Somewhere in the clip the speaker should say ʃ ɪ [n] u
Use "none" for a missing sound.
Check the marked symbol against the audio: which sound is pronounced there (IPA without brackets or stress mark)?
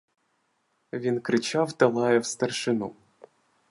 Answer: n